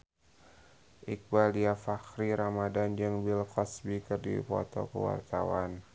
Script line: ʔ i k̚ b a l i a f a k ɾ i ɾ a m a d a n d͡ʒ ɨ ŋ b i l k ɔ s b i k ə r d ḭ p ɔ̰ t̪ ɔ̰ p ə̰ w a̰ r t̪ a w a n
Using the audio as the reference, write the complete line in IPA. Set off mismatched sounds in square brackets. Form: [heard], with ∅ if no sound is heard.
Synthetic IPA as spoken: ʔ i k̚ b a l i a f a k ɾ i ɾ a m a d a n d͡ʒ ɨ ŋ b i l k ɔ s b i k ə r d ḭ p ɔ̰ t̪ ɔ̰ [k] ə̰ w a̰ r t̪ a w a n